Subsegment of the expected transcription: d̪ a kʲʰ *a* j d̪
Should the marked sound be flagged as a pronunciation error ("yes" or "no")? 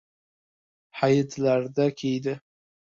yes